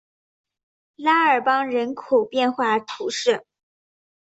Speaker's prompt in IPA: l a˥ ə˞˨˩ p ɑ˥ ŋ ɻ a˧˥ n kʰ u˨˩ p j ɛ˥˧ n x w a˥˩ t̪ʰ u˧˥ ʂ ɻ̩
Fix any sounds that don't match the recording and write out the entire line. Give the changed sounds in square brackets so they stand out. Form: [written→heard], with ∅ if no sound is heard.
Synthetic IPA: l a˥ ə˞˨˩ p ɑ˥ ŋ ɻ [a˧˥→ə˧˥] n kʰ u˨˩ p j ɛ˥˧ n x w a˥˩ t̪ʰ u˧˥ ʂ ɻ̩